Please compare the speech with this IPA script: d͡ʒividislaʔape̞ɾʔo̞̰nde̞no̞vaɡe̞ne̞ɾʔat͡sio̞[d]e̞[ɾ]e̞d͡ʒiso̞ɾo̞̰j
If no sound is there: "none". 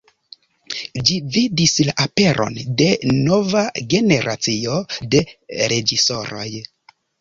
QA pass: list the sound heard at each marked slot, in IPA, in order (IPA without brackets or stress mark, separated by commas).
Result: d, ɾ